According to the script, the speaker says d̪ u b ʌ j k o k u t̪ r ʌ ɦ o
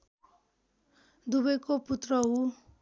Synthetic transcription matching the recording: d̪ u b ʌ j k o p u t̪ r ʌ ɦ u